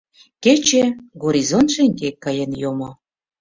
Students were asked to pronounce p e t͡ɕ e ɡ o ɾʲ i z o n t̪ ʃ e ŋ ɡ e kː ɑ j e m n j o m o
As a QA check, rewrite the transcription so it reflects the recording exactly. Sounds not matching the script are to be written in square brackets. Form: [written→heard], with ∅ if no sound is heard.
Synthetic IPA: [p→k] e t͡ɕ e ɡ o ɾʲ i z o n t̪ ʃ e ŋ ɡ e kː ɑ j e [m→∅] n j o m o